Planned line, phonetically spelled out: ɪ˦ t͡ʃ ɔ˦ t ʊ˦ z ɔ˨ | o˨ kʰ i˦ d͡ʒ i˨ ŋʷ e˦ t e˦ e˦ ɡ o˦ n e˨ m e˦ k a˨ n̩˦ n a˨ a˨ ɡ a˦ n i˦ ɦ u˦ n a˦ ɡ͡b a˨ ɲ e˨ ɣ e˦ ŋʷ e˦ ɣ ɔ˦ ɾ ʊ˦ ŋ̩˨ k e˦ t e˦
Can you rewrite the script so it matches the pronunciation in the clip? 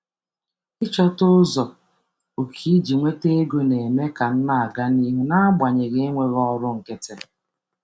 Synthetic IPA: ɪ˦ t͡ʃ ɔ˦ t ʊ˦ z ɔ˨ | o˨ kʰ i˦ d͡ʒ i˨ ŋʷ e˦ t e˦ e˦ ɡ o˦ n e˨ m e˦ k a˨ n̩˦ n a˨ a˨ ɡ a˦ n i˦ ɦ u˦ n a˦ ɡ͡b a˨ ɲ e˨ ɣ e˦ ŋʷ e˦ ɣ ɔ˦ ɾ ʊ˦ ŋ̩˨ k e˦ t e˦